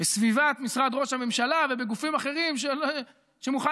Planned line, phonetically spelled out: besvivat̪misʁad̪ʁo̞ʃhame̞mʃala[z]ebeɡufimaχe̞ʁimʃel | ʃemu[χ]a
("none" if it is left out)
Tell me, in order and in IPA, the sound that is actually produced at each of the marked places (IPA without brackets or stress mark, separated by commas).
v, χ